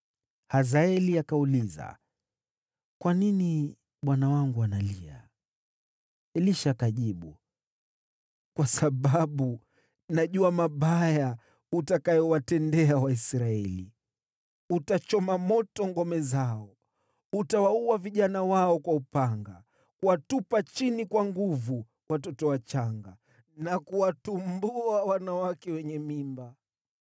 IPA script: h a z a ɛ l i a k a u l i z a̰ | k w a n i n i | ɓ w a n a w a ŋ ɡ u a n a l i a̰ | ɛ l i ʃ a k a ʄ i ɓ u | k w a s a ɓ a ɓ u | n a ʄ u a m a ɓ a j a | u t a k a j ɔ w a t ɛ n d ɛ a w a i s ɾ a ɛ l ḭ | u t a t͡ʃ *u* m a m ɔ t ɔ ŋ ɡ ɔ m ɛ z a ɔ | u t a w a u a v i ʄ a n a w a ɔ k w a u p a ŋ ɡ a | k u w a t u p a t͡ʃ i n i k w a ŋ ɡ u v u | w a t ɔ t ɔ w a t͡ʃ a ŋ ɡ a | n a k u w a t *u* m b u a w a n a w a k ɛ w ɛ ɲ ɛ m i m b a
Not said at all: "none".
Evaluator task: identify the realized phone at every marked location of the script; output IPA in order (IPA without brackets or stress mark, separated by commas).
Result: ɔ, u